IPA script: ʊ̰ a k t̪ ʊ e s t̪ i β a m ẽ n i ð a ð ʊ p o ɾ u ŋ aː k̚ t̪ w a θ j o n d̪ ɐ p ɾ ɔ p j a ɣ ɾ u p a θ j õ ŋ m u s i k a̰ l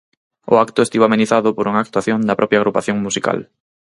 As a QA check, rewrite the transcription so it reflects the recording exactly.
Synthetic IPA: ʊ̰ a k t̪ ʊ e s t̪ i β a m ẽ n i θ a ð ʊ p o ɾ u ŋ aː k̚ t̪ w a θ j o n d̪ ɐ p ɾ ɔ p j a ɣ ɾ u p a θ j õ ŋ m u s i k a̰ l